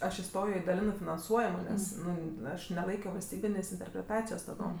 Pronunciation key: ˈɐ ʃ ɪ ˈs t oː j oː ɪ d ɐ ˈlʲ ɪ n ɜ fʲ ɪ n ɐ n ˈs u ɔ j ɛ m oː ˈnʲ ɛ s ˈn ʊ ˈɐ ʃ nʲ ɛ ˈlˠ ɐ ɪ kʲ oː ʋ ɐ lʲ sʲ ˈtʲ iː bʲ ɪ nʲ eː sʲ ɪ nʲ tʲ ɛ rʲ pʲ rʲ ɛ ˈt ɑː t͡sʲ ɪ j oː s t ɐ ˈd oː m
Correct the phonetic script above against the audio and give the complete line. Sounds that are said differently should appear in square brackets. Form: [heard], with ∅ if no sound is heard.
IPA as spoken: ˈɐ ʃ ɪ ˈs t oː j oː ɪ d ɐ ˈlʲ ɪ n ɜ fʲ ɪ n ɐ n ˈs u ɔ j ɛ m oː ˈnʲ ɛ s ˈn ʊ ˈɐ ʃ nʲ ɛ ˈlˠ ɐ ɪ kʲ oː ʋ ɐ lʲ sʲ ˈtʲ iː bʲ ɪ nʲ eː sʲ ɪ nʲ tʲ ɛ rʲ pʲ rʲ ɛ ˈt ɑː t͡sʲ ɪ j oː s t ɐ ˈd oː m